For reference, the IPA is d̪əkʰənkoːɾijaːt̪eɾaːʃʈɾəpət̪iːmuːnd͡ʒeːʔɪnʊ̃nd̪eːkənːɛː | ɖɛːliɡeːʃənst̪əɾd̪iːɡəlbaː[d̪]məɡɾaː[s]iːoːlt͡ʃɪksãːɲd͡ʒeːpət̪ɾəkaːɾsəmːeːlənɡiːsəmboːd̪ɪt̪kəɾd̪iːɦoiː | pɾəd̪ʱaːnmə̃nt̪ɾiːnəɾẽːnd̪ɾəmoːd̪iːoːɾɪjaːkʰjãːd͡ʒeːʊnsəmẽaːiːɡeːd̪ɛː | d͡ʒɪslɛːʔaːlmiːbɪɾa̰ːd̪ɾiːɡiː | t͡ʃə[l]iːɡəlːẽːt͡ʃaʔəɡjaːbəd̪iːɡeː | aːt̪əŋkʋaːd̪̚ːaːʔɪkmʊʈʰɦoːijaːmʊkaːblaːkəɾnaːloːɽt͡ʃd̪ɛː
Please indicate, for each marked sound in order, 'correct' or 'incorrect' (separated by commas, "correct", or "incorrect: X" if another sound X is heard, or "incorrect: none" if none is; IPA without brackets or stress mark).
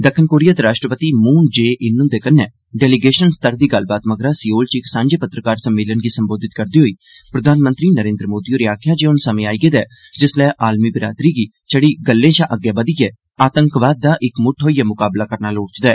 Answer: incorrect: t̪, correct, incorrect: ɽ